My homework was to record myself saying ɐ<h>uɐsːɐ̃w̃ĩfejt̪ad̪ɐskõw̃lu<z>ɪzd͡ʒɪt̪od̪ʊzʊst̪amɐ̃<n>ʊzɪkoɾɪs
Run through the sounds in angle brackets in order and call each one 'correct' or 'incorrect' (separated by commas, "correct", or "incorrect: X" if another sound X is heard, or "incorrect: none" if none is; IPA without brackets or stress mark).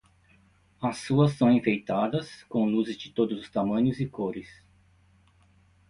incorrect: s, correct, incorrect: ɲ